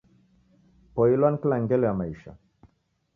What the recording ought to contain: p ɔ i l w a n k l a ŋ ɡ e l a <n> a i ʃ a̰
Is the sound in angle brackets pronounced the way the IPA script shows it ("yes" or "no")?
no